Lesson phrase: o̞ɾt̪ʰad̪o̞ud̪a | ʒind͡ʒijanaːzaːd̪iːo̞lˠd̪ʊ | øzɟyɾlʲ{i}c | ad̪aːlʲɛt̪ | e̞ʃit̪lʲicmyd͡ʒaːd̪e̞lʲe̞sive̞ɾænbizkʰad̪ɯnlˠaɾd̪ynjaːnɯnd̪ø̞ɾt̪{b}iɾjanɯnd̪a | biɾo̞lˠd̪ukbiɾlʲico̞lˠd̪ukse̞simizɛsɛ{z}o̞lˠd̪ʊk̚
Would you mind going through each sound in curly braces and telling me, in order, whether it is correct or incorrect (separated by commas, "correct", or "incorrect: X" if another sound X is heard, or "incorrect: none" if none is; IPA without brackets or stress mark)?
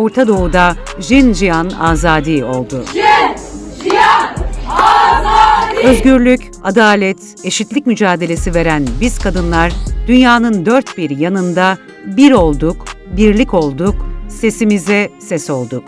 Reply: incorrect: y, correct, incorrect: s